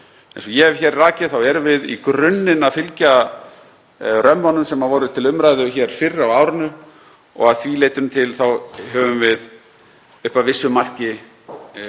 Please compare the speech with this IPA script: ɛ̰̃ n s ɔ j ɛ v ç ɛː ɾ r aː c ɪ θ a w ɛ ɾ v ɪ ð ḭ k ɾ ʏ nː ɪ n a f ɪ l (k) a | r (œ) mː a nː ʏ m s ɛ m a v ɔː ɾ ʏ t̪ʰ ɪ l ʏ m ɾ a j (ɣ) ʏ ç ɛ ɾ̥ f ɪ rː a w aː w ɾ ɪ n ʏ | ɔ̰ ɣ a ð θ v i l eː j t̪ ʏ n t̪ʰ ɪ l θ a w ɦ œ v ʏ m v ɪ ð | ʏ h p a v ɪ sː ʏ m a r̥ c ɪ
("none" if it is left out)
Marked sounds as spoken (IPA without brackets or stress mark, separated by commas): c, œ, ð